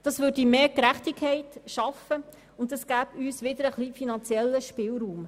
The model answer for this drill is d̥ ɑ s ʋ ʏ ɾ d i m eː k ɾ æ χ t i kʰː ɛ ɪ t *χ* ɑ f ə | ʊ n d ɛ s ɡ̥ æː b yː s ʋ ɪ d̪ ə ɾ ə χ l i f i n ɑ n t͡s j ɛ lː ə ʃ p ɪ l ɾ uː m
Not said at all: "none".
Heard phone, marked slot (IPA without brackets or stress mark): ʃ